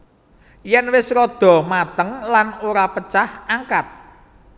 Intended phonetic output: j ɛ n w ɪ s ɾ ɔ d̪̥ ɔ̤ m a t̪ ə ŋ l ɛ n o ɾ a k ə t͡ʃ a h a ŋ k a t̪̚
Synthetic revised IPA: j ɛ n w ɪ s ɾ ɔ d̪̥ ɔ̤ m a t̪ ə ŋ l a n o ɾ a p ə t͡ʃ a h a ŋ k a t̪̚